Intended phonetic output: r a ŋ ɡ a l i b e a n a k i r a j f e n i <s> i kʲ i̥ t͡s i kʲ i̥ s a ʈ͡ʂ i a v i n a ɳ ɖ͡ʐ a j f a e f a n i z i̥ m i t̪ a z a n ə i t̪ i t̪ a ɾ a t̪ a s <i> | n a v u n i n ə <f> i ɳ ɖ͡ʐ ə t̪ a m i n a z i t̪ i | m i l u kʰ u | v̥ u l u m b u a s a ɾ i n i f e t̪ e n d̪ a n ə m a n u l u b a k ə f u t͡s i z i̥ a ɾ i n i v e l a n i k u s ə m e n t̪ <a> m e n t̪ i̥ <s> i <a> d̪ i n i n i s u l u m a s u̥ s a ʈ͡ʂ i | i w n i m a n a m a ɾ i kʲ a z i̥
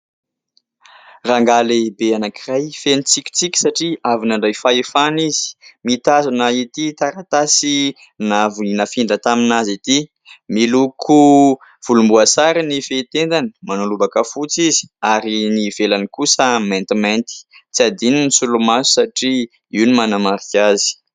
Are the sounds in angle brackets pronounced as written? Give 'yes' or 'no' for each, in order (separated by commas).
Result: no, yes, yes, no, no, yes